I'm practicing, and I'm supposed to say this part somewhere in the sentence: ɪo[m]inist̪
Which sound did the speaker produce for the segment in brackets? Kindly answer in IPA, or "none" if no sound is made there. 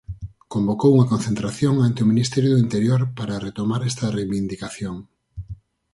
m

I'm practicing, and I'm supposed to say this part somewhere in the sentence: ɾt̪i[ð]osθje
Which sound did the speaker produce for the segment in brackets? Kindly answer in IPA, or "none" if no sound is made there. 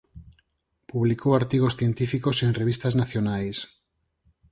ɣ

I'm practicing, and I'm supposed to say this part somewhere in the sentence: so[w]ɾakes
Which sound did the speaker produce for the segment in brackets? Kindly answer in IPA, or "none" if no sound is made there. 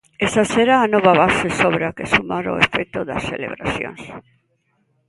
β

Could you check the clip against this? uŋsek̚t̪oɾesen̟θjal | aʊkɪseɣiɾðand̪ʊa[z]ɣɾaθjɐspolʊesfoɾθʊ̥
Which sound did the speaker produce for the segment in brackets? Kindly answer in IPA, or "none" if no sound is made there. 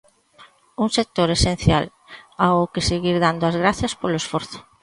z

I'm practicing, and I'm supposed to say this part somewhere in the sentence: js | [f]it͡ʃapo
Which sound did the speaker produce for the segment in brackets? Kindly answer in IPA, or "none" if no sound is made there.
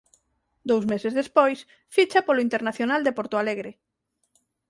f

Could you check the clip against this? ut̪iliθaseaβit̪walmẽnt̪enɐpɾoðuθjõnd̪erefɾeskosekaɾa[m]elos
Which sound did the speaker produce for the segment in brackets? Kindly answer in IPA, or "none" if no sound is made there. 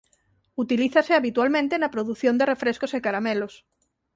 m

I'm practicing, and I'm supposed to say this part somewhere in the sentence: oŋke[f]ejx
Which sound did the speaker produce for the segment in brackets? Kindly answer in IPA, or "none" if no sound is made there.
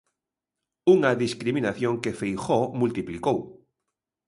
f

